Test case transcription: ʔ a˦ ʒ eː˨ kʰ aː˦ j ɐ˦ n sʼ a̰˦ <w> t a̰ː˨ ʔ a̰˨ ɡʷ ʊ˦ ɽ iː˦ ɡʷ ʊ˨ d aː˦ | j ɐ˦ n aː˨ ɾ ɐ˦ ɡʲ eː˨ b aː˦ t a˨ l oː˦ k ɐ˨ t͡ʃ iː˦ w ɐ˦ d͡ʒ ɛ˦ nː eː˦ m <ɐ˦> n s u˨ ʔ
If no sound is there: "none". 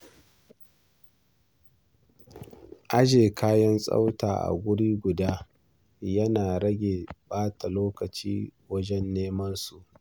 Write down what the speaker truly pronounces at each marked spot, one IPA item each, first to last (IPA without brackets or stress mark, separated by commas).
w, ɐ˦